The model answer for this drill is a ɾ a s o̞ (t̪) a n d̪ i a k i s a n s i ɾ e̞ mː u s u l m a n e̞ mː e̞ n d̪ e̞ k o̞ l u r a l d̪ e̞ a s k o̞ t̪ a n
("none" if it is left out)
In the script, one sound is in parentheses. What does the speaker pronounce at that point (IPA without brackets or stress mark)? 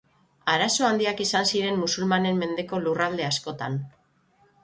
none